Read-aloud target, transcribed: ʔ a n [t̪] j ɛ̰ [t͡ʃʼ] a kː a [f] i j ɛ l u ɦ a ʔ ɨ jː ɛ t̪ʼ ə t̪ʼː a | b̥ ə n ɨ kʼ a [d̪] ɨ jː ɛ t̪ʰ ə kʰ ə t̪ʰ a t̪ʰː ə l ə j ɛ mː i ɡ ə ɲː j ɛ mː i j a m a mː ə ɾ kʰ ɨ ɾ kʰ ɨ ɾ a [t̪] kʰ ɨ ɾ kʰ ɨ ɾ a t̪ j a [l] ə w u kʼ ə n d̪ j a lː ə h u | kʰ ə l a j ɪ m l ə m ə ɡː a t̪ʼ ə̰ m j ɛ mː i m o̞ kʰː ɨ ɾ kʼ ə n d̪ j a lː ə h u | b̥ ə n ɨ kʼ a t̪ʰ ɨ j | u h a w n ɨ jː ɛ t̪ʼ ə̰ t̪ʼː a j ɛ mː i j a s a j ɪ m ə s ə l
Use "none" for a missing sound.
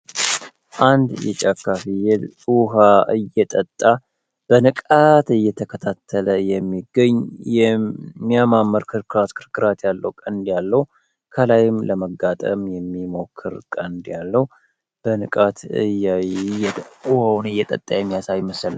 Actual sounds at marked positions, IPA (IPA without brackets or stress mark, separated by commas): d̪, t͡ʃʼ, f, t̪, t̪, lː